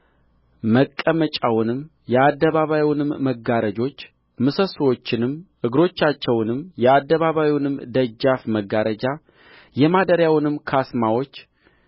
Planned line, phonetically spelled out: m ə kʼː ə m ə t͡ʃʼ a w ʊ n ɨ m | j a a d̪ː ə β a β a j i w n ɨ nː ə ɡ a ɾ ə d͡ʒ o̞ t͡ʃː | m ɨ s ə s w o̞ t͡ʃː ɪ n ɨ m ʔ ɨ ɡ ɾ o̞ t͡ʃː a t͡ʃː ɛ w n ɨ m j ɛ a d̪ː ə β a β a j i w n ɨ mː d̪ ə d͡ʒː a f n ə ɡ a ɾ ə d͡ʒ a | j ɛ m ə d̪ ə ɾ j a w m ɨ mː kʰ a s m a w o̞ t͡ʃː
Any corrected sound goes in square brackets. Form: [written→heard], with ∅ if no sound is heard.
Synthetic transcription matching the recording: m ə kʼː ə m ə t͡ʃʼ a w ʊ n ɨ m | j [a→ɛ] a d̪ː ə β a β a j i w n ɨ [nː→mː] ə ɡ a ɾ ə d͡ʒ o̞ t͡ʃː | m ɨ s ə s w o̞ t͡ʃː ɪ n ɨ m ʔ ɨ ɡ ɾ o̞ t͡ʃː a t͡ʃː ɛ w n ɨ m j ɛ a d̪ː ə β a β a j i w n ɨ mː d̪ ə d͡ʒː a f [n→m] ə ɡ a ɾ ə d͡ʒ a | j ɛ m [ə→a] d̪ ə ɾ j a w [m→n] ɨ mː kʰ a s m a w o̞ t͡ʃː